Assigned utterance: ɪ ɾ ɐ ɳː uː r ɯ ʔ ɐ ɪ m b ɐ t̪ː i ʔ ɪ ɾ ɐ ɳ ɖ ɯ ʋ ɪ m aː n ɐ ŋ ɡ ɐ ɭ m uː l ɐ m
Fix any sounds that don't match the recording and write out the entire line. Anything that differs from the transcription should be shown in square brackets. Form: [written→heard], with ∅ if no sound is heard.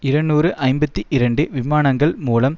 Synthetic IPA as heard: ɪ ɾ ɐ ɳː uː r ɯ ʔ ɐ ɪ m b ɐ t̪ː i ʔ ɪ ɾ ɐ ɳ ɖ ɯ ʋ ɪ m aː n ɐ ŋ ɡ ɐ ɭ m uː l ɐ m